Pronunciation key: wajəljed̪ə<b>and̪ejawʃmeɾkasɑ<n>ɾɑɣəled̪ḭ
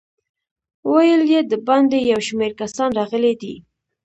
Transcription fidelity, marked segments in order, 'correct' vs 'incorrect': correct, correct

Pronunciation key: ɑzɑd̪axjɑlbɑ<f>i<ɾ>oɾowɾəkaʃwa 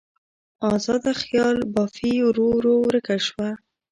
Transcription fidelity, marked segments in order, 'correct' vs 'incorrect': correct, correct

